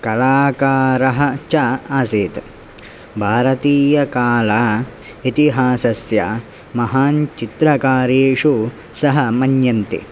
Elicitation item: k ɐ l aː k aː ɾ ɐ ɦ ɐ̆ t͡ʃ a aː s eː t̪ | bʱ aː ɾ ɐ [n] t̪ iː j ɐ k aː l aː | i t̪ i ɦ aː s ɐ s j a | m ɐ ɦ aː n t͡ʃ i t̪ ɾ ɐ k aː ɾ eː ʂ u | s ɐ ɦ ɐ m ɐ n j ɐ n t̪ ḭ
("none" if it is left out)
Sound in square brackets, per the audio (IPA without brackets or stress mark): none